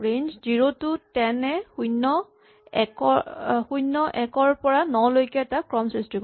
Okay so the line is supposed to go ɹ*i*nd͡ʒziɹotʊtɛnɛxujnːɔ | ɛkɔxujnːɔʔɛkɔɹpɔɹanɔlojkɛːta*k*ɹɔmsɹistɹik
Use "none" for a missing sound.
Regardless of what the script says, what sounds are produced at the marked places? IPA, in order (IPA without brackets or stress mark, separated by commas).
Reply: e, k